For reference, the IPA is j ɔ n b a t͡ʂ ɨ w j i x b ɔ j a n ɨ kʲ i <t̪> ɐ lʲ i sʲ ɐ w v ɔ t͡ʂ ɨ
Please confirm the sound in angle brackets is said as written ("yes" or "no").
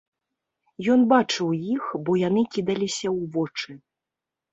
no